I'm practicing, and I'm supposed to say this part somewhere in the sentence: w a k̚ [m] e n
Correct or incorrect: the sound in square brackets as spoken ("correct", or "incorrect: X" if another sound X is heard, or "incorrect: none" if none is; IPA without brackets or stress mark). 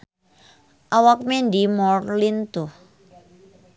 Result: correct